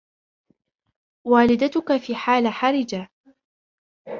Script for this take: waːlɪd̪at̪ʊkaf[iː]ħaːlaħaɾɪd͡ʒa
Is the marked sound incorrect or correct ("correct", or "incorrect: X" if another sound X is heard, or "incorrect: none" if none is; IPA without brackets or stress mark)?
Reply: correct